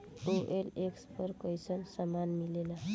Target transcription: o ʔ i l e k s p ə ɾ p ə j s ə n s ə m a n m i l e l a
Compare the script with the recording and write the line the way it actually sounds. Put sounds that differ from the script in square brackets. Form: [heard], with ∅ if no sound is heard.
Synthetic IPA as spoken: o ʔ [e] l e k s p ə ɾ [k] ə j s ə n s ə m a n m i l e l a